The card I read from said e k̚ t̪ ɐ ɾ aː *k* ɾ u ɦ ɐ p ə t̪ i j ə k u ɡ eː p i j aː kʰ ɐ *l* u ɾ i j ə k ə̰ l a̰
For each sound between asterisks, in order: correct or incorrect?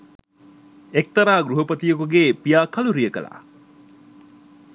incorrect: ɡ, correct

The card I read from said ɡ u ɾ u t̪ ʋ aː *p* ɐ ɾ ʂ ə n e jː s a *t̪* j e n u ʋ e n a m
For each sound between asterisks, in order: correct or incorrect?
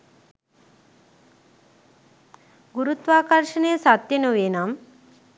incorrect: k, correct

